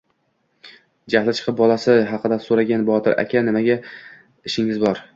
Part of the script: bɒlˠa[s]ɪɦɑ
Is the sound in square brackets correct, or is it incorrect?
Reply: correct